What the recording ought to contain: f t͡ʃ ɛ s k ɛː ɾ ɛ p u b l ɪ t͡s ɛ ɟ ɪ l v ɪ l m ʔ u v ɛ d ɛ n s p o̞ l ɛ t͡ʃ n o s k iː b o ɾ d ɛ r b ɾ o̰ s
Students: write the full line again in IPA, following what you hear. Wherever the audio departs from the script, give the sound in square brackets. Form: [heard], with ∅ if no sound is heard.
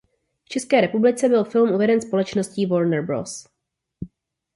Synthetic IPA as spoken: f t͡ʃ ɛ s k ɛː ɾ ɛ p u b l ɪ t͡s ɛ [b] ɪ l [f] ɪ l m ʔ u v ɛ d ɛ n s p o̞ l ɛ t͡ʃ n o s [c] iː [v] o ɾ [n] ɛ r b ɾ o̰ s